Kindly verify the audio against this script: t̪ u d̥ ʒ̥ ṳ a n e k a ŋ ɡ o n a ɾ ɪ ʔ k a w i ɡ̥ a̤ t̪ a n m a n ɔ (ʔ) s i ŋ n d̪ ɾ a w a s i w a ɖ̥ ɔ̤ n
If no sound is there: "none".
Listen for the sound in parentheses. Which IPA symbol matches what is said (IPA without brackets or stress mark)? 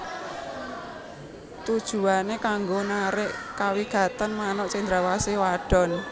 ʔ